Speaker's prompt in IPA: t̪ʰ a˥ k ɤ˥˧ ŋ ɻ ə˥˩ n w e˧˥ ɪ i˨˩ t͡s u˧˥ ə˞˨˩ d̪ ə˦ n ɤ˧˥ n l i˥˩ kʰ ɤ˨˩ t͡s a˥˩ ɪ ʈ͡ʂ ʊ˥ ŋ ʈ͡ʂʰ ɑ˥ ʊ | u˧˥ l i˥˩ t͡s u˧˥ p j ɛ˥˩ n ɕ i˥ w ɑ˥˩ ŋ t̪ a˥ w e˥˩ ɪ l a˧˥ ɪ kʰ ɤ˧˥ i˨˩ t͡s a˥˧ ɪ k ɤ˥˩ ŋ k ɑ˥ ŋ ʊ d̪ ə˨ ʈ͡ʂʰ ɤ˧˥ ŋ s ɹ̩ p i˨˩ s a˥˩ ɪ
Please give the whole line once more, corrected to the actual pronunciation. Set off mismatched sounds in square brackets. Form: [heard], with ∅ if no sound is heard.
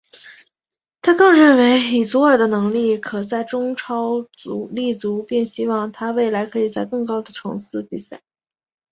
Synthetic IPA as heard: t̪ʰ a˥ k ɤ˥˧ ŋ ɻ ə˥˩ n w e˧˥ ɪ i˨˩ t͡s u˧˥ ə˞˨˩ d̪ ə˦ n ɤ˧˥ [ŋ] l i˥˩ kʰ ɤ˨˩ t͡s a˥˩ ɪ ʈ͡ʂ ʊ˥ ŋ ʈ͡ʂʰ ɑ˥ ʊ | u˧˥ l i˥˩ t͡s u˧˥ p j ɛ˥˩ n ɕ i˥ w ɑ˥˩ ŋ [t̪ʰ] a˥ w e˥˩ ɪ l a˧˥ ɪ kʰ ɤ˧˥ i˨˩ t͡s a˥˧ ɪ k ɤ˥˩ ŋ k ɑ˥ [∅] ʊ d̪ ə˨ ʈ͡ʂʰ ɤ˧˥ ŋ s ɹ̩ p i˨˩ s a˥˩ ɪ

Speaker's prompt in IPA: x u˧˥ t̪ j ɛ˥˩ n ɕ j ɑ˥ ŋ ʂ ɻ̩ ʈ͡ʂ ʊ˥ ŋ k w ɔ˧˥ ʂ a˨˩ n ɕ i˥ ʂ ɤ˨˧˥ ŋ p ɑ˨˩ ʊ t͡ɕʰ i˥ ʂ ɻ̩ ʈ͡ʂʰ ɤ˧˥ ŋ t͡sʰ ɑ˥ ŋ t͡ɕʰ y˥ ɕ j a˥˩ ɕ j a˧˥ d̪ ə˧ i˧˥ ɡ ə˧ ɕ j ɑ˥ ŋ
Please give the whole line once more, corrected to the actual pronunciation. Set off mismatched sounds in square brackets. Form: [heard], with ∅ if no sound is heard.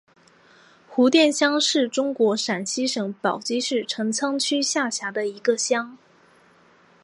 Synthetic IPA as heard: x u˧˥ t̪ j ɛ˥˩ n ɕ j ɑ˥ ŋ ʂ ɻ̩ ʈ͡ʂ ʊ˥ ŋ k w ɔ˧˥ ʂ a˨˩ n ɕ i˥ ʂ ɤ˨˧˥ ŋ p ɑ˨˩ ʊ [t͡ɕ] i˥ ʂ ɻ̩ ʈ͡ʂʰ ɤ˧˥ ŋ t͡sʰ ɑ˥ ŋ t͡ɕʰ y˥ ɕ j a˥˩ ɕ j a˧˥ d̪ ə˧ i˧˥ ɡ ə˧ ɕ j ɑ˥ ŋ

